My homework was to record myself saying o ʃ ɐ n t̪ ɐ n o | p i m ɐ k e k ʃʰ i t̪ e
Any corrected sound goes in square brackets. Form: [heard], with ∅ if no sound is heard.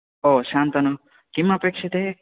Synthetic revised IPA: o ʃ [a] n t̪ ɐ n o | [k] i m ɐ [p] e k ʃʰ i t̪ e